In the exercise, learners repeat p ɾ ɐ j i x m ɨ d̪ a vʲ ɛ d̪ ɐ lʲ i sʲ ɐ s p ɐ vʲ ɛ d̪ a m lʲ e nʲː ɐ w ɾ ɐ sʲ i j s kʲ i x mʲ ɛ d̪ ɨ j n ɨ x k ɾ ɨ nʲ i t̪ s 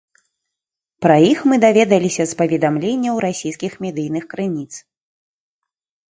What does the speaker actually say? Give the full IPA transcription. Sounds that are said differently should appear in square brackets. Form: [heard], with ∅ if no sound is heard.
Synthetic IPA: p ɾ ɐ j i x m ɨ d̪ a vʲ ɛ d̪ ɐ lʲ i sʲ ɐ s p ɐ vʲ ɛ d̪ a m lʲ e nʲː ɐ w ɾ [a] sʲ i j s kʲ i x mʲ ɛ d̪ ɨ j n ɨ x k ɾ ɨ nʲ i t̪ s